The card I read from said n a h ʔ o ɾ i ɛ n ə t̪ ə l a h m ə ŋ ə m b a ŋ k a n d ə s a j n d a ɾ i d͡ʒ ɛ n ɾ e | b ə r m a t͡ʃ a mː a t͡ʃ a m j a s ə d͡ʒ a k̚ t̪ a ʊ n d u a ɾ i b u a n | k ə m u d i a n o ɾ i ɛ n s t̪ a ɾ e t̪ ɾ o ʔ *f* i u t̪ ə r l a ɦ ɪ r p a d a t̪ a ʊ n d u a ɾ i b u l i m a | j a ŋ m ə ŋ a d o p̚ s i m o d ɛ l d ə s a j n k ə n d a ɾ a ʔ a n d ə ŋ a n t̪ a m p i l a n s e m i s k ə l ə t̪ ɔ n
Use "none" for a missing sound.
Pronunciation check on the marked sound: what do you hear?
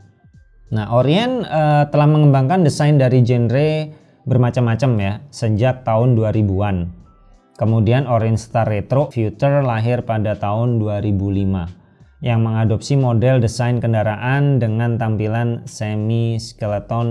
f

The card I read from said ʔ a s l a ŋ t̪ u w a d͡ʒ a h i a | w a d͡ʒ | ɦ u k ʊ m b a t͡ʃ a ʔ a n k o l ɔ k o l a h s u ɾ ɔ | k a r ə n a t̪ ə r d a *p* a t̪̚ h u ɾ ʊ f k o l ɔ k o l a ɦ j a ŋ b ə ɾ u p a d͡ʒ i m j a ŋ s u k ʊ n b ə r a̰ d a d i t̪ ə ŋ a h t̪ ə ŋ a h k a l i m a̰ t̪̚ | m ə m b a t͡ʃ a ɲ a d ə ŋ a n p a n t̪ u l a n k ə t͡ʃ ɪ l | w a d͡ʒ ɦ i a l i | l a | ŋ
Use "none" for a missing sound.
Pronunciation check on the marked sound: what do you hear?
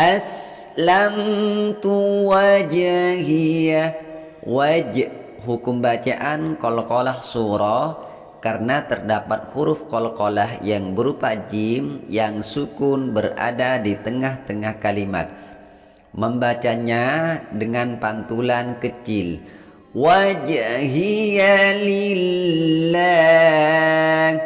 p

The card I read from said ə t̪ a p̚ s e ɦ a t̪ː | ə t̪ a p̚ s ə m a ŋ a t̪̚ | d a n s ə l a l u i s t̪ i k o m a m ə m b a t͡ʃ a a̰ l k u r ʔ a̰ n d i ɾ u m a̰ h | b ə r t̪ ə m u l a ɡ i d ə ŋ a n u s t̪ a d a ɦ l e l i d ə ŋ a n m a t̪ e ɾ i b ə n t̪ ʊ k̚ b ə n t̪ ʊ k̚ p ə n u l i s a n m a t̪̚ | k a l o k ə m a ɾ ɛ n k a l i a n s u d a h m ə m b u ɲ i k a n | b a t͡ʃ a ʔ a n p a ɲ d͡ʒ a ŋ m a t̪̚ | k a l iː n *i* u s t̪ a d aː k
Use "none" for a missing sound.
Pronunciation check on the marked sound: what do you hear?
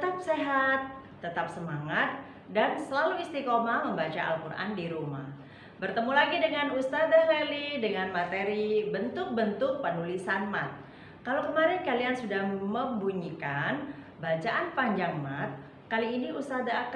i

